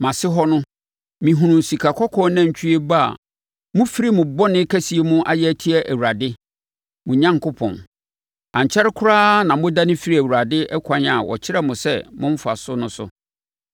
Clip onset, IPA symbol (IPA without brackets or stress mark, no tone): m